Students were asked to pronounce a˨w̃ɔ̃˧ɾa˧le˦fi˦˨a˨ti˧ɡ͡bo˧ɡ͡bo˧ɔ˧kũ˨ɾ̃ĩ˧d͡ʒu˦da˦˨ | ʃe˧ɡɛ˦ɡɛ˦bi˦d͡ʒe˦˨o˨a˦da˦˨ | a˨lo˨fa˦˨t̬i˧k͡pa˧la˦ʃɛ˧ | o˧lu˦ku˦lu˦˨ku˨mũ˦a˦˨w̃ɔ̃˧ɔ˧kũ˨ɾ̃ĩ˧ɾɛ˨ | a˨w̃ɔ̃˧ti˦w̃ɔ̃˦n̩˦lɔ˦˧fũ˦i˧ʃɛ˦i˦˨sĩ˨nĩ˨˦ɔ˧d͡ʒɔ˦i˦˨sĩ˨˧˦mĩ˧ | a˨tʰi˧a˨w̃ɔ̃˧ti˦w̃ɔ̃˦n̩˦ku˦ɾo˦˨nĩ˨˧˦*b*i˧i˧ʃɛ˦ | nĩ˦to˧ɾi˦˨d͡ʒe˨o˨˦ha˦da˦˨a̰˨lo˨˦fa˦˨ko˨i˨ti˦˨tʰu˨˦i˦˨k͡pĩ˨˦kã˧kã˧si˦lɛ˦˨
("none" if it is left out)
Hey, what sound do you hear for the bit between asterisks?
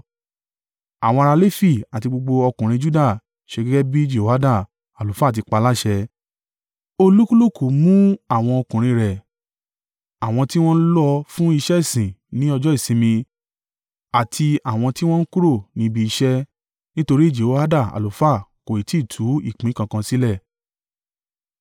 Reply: b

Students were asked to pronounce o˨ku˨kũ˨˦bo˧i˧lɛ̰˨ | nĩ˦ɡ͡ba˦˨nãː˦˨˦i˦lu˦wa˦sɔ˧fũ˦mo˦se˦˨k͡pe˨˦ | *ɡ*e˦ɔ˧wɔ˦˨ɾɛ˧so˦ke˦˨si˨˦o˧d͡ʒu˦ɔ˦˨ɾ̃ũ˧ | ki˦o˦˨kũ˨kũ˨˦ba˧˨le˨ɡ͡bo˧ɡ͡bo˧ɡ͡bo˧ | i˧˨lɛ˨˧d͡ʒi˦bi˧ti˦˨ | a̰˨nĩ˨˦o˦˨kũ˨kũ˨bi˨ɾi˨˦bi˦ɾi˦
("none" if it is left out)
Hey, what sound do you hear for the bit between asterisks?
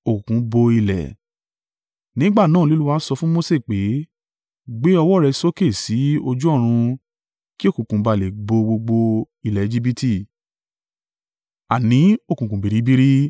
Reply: ɡ͡b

